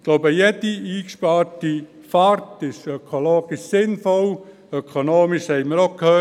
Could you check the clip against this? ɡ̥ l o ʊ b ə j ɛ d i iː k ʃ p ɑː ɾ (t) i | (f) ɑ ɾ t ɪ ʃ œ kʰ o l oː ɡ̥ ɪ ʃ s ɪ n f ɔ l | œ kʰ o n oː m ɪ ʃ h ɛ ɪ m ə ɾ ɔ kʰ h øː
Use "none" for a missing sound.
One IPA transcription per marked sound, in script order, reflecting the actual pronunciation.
t, f

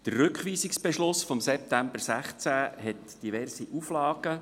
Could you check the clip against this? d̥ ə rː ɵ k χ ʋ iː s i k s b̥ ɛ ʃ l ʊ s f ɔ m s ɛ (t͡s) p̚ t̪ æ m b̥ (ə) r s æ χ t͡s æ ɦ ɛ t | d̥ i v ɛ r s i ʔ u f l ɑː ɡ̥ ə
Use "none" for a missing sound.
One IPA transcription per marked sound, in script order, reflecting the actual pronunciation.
none, ə

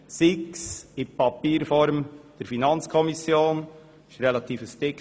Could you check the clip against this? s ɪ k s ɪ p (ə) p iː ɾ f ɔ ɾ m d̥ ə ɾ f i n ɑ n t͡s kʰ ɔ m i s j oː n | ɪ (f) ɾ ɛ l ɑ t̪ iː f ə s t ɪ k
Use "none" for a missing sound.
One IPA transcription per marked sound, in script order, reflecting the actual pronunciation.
ɑ, ʃ

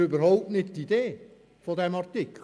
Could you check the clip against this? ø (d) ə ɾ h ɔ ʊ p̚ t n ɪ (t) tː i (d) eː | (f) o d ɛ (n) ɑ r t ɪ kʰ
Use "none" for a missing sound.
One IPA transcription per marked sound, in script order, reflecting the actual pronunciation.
b, t, d, f, m

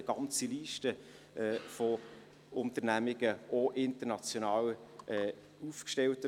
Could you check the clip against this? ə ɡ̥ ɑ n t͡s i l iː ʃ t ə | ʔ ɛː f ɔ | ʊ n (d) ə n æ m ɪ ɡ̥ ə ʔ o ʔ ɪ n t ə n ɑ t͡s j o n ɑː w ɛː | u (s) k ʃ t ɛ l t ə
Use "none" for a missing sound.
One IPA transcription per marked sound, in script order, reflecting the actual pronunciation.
t, f

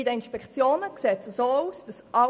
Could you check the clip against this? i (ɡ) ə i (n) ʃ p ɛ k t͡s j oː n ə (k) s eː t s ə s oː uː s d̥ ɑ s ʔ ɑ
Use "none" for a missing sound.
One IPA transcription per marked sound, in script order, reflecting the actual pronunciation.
d, n, k

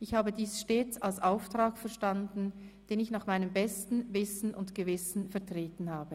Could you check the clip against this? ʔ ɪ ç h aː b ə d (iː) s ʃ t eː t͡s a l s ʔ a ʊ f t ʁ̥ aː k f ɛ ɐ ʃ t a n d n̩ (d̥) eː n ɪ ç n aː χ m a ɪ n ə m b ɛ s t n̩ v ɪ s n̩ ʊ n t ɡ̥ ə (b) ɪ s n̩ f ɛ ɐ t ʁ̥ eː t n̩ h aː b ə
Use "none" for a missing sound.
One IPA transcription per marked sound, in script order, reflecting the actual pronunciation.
iː, d̥, v

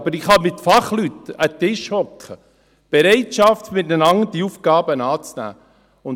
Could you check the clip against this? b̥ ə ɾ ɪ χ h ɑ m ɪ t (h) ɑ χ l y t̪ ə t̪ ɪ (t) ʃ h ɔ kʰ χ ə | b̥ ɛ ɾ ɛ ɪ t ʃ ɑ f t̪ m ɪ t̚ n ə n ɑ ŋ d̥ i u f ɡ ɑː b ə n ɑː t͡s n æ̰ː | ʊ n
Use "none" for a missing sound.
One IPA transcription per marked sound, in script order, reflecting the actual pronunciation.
f, none

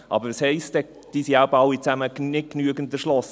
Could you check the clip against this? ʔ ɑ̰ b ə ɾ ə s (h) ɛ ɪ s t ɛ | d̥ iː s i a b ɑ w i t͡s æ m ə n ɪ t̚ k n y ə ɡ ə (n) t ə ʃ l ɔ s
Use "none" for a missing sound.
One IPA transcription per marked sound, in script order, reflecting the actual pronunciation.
h, n

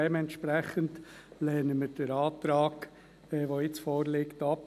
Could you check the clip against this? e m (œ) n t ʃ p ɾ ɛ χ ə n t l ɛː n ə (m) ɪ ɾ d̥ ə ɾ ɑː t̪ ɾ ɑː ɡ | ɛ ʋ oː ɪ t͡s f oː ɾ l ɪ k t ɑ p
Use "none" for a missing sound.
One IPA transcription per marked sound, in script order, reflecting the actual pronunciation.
ɛ, m

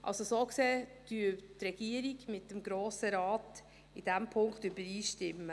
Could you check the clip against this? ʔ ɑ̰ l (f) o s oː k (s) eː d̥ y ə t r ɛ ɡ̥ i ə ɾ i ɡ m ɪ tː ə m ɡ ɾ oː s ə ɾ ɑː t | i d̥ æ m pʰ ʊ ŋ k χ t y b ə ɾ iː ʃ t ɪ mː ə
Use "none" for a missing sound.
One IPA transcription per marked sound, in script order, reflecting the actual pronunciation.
s, s

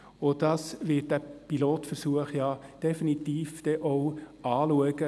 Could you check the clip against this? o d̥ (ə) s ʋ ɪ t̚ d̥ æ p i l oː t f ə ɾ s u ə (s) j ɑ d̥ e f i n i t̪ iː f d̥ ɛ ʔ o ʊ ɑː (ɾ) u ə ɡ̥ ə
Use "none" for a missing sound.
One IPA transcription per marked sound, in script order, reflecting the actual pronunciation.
ɑ, χ, l

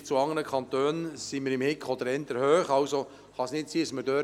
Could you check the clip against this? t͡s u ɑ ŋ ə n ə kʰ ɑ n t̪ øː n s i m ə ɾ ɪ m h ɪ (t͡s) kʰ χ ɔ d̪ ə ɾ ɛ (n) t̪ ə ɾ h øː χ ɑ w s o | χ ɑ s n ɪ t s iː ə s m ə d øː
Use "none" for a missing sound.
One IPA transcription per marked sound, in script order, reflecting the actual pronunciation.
none, n

